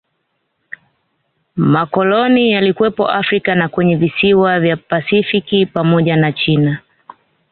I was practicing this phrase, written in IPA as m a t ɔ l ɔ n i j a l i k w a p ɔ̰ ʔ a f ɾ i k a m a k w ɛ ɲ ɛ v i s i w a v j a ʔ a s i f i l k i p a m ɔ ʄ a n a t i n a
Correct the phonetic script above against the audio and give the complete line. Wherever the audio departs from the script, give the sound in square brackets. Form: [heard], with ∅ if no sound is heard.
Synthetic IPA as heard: m a [k] ɔ l ɔ n i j a l i k w [ɛ] p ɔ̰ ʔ a f ɾ i k a [n] a k w ɛ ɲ ɛ v i s i w a v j a [p] a s i f i [∅] k i p a m ɔ ʄ a n a [t͡ʃ] i n a